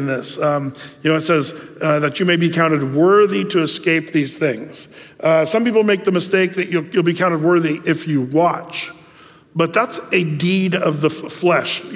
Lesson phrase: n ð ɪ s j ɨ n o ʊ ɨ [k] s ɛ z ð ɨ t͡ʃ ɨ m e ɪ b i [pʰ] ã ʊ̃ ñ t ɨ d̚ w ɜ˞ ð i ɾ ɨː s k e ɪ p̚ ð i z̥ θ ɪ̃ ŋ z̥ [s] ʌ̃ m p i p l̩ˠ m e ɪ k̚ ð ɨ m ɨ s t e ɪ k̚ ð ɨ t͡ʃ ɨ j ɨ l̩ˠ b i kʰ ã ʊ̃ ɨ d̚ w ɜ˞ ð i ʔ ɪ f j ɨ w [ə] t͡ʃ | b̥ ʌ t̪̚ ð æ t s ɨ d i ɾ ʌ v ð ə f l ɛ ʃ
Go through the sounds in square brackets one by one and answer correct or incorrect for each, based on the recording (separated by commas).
incorrect, incorrect, correct, incorrect